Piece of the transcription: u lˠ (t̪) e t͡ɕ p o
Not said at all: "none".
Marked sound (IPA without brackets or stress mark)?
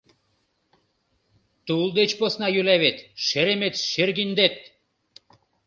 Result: d̪